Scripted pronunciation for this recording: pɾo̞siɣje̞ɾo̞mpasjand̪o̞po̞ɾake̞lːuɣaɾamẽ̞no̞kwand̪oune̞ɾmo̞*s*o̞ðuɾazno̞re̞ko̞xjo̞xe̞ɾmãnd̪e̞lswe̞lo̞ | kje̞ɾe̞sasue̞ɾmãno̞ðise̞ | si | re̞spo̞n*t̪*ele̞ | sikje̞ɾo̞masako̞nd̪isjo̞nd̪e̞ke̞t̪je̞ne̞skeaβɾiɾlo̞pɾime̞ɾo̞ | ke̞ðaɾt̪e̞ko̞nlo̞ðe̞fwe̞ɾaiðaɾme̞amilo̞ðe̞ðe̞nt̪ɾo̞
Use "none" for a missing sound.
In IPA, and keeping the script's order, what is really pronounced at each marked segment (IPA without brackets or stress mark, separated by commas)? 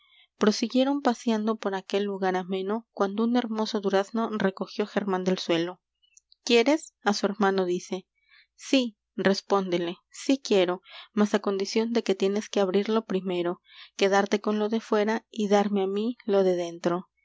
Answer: s, d̪